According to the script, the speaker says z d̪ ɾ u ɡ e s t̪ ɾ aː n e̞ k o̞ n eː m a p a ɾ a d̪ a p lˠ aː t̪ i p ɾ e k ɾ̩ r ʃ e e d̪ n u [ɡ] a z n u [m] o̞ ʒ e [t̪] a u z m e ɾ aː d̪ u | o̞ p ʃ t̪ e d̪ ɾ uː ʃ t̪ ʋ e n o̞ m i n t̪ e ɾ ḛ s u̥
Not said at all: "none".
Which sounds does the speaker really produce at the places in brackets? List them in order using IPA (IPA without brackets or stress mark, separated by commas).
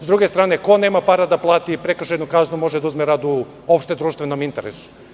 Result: k, m, d̪